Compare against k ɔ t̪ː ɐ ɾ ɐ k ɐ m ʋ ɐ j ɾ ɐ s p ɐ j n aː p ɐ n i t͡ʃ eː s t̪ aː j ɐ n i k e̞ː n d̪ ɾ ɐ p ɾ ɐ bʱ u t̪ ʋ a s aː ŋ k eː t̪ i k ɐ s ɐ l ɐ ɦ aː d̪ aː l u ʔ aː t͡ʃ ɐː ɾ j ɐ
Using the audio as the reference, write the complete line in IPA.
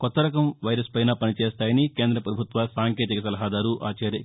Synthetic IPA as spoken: k ɔ t̪ː ɐ ɾ ɐ k ɐ m ʋ ɐ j ɾ ɐ s p ɐ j n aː p ɐ n i t͡ʃ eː s t̪ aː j ɐ n i k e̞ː n d̪ ɾ ɐ p ɾ ɐ bʱ u t̪ ʋ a s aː ŋ k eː t̪ i k ɐ s ɐ l ɐ ɦ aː d̪ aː ɾ u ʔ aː t͡ʃ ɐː ɾ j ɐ